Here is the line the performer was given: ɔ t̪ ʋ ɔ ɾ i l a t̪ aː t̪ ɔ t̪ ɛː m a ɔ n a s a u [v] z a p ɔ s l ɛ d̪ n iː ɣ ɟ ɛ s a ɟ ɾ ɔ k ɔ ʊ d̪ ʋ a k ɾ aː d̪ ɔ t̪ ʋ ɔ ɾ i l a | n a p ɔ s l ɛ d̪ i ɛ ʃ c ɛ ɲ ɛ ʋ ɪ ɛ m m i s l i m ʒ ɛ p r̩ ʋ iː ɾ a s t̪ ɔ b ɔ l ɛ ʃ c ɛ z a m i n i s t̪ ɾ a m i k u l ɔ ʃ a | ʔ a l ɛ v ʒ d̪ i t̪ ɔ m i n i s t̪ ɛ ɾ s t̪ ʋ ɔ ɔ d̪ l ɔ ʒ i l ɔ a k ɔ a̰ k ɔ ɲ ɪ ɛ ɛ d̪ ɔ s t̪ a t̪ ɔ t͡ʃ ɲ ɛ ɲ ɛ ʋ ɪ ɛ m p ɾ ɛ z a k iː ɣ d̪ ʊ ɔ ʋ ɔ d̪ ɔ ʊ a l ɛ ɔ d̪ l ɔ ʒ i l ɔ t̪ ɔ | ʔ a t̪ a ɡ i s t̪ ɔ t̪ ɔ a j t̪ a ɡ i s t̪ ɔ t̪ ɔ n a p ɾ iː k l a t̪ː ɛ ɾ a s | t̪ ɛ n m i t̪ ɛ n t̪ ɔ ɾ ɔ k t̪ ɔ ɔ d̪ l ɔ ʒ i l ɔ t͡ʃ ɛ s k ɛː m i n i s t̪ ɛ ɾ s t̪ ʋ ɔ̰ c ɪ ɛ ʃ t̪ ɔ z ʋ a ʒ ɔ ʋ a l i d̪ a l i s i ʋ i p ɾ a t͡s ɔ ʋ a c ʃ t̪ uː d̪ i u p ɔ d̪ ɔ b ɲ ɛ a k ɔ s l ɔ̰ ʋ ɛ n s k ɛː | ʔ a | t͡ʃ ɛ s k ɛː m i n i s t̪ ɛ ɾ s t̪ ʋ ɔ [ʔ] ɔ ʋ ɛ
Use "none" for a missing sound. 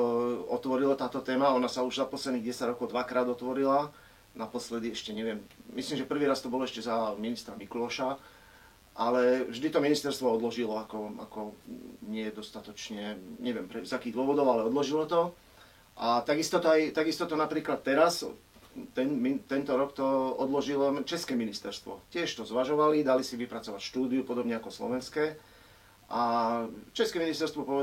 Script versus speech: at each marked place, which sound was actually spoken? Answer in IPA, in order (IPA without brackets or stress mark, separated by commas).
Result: ʒ, p